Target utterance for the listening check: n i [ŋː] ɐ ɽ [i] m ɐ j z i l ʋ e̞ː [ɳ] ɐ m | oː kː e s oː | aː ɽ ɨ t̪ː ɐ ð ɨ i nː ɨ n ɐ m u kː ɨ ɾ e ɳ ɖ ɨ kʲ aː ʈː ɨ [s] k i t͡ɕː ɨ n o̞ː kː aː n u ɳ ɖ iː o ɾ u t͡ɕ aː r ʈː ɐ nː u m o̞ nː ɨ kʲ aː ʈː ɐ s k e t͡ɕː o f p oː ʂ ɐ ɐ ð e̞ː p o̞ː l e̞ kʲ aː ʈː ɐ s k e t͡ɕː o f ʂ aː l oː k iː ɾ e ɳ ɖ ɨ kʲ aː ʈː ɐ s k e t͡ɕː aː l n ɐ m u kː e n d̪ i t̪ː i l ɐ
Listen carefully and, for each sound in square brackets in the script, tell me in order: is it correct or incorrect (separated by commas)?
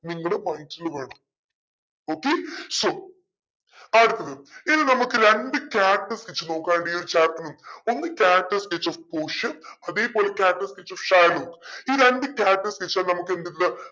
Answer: correct, incorrect, correct, correct